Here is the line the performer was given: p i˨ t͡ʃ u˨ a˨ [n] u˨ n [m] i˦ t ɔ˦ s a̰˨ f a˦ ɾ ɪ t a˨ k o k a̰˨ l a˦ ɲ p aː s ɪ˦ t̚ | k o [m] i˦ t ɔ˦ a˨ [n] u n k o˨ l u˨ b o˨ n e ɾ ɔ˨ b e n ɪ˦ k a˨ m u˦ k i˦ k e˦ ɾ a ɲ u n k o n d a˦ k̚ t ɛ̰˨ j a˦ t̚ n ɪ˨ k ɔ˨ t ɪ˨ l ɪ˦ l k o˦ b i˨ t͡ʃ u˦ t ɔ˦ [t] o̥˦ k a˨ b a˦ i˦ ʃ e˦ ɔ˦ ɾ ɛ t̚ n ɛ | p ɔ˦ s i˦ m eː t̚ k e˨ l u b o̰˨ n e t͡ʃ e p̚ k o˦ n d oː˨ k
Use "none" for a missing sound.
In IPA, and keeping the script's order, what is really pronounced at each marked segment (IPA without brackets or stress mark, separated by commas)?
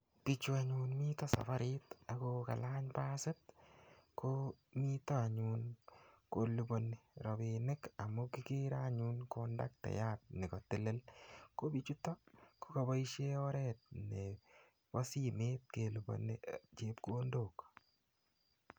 ɲ, m, m, ɲ, k